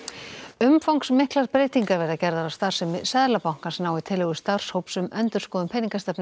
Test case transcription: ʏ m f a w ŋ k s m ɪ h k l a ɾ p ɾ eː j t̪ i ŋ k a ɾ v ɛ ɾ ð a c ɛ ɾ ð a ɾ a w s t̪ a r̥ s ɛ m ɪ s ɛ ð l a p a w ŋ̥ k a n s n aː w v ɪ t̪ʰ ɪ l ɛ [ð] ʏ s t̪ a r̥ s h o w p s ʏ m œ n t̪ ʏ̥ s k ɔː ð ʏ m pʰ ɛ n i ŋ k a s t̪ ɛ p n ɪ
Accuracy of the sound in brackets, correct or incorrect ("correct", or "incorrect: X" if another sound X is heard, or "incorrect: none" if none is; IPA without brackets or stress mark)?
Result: incorrect: ɣ